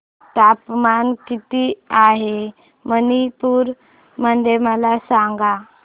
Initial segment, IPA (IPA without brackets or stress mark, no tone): t̪